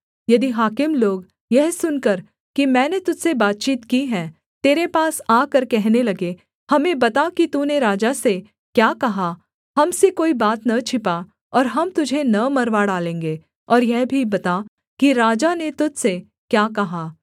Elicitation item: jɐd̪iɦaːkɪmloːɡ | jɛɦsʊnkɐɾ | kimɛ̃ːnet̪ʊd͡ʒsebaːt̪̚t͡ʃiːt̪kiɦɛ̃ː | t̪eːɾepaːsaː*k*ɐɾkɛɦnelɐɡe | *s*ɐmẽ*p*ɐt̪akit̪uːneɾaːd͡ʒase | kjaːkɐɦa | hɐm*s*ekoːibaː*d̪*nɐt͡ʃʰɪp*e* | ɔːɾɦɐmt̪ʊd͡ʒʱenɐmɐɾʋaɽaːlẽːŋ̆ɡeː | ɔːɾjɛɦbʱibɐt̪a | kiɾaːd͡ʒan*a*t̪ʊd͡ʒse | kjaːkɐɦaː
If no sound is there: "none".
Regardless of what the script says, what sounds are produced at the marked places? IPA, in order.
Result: k, h, b, s, t̪, a, e

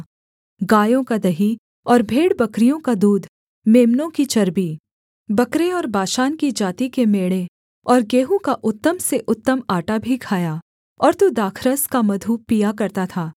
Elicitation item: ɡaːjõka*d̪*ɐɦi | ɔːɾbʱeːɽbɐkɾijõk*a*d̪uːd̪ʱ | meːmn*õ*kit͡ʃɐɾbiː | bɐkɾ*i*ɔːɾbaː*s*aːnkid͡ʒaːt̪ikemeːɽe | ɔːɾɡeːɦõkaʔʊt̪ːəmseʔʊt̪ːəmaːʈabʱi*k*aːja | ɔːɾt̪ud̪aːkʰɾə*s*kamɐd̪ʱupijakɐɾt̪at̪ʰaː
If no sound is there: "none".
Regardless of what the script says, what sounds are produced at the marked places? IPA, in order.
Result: d̪, a, õ, e, ʃ, kʰ, s

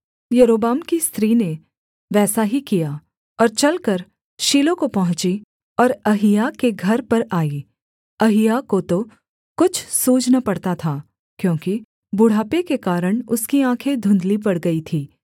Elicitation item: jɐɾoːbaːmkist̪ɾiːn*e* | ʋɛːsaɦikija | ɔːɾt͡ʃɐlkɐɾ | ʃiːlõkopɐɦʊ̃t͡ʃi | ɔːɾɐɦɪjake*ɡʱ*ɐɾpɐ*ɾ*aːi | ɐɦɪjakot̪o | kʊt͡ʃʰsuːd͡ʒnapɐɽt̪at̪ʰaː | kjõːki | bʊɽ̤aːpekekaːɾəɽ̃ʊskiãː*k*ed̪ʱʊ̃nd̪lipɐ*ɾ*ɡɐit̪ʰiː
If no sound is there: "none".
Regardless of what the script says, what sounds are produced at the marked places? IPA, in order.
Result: e, ɡʱ, ɾ, kʰ, ɽ

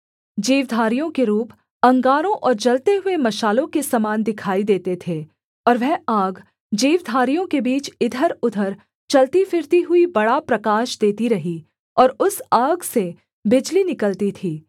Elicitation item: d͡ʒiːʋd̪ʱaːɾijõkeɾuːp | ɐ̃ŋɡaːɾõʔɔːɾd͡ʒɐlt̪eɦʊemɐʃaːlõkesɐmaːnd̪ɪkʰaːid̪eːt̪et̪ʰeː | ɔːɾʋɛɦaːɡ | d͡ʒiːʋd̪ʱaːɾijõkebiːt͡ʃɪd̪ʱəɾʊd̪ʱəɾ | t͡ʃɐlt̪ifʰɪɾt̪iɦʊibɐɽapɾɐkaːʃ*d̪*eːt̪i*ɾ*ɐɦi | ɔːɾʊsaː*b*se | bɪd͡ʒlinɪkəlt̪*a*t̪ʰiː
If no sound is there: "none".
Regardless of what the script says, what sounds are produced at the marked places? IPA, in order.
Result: d̪, ɾ, ɡ, i

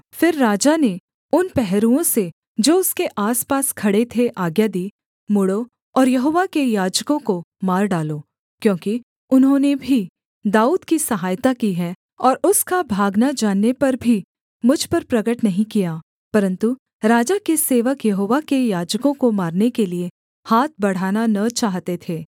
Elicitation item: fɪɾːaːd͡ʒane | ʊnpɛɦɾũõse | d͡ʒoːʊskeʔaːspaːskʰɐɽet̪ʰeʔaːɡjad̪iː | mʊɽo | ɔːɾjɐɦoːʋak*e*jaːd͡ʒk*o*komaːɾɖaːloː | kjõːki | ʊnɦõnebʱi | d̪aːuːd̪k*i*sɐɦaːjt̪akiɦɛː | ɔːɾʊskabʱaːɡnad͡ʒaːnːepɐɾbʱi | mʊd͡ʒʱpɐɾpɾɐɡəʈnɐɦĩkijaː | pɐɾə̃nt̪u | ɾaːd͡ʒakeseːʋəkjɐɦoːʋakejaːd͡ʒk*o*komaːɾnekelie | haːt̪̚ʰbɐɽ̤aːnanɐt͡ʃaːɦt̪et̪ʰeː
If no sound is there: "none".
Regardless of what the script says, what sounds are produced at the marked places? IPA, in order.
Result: e, õ, i, õ

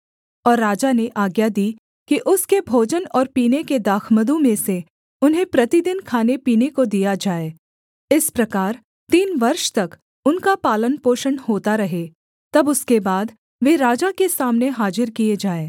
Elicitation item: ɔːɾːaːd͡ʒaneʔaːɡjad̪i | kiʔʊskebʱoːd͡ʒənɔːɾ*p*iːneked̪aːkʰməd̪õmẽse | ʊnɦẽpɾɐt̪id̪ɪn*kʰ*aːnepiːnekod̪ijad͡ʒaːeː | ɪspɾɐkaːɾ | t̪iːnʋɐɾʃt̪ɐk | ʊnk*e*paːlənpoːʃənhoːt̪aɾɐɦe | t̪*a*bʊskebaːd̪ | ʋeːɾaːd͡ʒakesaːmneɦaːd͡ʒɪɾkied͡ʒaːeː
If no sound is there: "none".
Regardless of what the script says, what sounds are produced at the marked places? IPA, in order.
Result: p, kʰ, a, ɐ

